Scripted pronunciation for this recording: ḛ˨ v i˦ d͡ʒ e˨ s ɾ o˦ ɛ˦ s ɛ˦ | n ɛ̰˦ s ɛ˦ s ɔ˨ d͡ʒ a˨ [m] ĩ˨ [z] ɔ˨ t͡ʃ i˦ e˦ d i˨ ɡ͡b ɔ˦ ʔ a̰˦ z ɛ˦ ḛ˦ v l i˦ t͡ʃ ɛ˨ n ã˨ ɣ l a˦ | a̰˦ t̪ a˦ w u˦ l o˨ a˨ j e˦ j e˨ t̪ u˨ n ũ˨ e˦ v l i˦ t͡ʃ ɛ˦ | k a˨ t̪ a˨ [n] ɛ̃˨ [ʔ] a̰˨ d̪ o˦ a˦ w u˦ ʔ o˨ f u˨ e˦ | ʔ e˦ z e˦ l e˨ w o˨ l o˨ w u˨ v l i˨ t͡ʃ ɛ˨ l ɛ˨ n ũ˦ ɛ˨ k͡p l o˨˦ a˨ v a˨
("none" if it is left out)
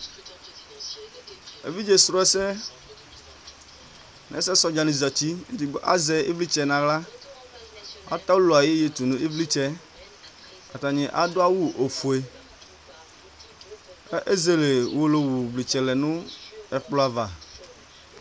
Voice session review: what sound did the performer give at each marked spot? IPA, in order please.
n, z, ɲ, ʔ

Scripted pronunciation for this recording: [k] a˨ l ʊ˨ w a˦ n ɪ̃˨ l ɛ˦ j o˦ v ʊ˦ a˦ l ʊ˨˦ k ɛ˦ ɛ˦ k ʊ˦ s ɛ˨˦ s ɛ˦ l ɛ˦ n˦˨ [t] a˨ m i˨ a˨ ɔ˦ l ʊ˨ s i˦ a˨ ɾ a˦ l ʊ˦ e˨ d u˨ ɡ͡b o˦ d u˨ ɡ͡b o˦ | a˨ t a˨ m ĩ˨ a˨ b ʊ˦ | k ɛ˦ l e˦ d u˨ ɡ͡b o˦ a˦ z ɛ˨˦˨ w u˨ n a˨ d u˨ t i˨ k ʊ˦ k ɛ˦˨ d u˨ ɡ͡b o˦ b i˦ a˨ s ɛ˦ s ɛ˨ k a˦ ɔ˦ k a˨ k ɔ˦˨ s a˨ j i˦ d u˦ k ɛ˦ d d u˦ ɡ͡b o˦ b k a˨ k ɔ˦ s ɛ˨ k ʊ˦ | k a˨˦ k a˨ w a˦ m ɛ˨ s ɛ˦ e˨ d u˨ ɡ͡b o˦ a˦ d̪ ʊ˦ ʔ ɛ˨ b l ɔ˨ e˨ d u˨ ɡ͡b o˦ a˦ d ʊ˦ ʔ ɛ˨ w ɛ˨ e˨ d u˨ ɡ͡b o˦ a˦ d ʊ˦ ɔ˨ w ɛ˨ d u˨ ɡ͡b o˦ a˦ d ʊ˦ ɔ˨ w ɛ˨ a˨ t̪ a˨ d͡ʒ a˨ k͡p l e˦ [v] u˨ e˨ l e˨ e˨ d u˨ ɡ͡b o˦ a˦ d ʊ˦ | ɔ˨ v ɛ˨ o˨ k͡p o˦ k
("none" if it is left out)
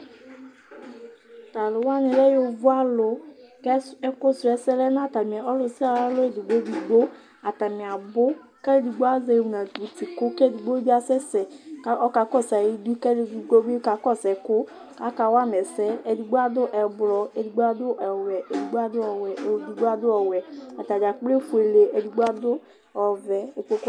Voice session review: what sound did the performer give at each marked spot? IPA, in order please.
t, t, f

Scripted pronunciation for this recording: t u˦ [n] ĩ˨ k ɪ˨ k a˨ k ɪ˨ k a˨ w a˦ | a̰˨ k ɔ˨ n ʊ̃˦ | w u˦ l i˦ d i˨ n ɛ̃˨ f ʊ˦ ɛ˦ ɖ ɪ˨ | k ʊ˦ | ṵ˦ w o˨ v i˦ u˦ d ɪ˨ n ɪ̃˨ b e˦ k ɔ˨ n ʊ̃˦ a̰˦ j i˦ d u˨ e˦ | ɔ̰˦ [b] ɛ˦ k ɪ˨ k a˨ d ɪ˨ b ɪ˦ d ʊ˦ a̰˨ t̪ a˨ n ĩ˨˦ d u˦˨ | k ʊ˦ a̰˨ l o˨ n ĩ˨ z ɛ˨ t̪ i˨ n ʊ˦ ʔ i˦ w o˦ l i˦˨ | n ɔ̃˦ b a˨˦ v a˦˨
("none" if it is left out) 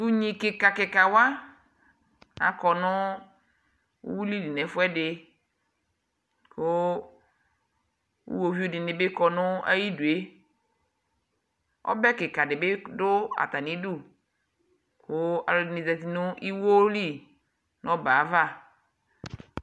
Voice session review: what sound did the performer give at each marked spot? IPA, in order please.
ɲ, b

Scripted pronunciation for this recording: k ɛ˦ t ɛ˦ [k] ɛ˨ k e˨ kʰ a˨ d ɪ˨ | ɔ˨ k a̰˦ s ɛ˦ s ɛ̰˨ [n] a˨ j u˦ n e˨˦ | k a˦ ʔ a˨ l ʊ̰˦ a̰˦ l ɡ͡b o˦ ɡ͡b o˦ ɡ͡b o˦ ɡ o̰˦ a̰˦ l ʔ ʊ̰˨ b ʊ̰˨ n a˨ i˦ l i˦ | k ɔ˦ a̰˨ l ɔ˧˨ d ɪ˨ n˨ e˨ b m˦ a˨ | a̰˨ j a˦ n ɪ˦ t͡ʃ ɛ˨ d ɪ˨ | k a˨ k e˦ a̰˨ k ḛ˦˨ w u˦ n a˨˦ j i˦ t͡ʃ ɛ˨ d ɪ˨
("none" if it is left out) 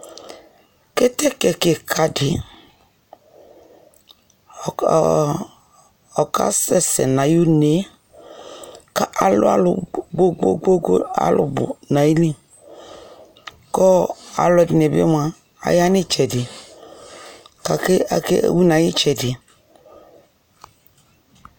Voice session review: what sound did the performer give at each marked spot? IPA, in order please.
k, n

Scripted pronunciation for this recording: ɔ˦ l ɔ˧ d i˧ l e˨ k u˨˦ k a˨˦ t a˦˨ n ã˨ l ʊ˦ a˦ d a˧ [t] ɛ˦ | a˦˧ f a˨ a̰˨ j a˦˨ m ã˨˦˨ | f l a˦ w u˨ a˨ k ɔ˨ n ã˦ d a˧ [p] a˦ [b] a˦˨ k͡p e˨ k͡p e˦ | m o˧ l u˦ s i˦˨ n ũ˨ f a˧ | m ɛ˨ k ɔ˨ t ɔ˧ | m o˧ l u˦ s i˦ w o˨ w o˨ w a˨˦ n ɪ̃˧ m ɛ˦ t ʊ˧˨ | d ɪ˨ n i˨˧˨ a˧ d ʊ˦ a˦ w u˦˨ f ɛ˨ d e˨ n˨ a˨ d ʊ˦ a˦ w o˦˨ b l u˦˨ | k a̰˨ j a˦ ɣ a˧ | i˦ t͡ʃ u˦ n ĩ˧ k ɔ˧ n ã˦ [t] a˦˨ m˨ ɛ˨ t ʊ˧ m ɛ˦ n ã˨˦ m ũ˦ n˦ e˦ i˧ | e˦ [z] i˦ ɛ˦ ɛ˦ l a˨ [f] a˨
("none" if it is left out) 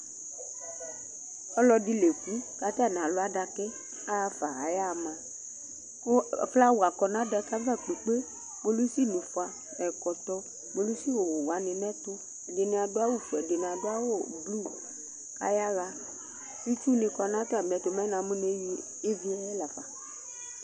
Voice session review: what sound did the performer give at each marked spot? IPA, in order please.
k, k, v, t, v, f

